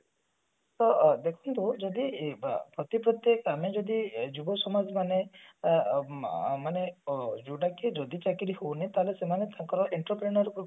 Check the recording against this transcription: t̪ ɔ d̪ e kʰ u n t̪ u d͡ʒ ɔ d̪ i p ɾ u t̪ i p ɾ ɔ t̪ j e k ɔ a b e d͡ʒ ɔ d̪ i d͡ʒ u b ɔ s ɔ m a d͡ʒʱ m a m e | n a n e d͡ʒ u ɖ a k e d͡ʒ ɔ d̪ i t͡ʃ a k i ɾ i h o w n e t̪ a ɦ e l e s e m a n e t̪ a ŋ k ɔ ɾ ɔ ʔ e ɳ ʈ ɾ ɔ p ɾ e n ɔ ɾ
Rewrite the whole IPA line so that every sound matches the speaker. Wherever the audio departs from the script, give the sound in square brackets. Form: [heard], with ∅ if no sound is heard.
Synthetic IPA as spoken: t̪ ɔ d̪ e kʰ u n t̪ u d͡ʒ ɔ d̪ i p ɾ [ɔ] t̪ i p ɾ ɔ t̪ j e k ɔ a [m] e d͡ʒ ɔ d̪ i d͡ʒ u b ɔ s ɔ m a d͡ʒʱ m a [n] e | [m] a n e d͡ʒ u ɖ a k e d͡ʒ ɔ d̪ i t͡ʃ a k i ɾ i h o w n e t̪ a ɦ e l e s e m a n e t̪ a ŋ k ɔ ɾ ɔ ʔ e ɳ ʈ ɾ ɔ p ɾ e n ɔ ɾ